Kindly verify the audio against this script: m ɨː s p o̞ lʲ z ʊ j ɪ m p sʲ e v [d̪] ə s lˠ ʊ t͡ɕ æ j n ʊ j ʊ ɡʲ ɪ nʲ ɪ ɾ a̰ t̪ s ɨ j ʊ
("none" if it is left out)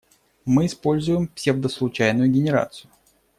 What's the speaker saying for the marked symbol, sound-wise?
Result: d̪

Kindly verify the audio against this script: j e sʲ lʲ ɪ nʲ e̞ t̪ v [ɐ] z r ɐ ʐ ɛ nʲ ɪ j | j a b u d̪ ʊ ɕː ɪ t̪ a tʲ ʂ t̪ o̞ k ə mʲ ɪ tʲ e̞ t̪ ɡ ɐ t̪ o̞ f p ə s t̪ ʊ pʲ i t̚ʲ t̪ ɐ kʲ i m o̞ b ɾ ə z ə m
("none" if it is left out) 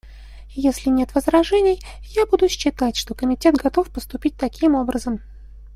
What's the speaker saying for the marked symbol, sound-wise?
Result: ə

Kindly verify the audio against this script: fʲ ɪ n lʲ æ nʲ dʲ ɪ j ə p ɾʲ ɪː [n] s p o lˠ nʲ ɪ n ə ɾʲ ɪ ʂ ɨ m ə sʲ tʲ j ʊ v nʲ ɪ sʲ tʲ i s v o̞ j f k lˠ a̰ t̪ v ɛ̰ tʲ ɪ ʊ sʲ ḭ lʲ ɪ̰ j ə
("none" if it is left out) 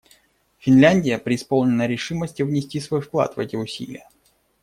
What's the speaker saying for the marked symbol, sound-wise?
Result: none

